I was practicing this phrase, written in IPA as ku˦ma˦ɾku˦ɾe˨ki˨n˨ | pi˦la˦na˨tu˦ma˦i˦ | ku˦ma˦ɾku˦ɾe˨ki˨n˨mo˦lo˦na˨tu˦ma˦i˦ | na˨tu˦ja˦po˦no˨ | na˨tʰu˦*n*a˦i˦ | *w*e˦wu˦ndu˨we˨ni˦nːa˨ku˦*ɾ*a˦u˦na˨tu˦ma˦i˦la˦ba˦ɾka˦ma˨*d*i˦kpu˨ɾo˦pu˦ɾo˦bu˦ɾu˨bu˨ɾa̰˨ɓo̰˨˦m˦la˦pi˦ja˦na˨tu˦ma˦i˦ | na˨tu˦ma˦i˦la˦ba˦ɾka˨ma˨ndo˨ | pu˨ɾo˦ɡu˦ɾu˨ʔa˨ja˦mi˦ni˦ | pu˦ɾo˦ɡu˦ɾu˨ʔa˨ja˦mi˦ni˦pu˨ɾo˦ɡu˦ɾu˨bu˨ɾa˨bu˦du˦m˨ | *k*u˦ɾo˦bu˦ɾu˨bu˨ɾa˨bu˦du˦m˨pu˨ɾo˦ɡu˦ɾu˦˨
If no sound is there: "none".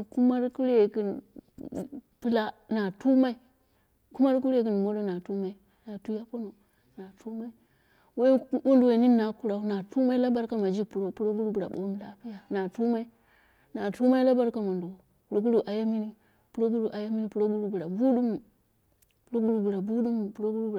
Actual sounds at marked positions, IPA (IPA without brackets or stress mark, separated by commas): m, w, ɾ, d͡ʒ, p